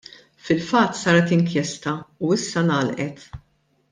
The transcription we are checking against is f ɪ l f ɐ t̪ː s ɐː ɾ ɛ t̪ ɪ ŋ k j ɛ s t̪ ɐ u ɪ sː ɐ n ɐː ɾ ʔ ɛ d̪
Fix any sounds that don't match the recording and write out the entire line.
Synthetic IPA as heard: f ɪ l f ɐ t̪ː s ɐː ɾ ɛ t̪ ɪ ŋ k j ɛ s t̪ ɐ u ɪ sː ɐ n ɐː l ʔ ɛ t̪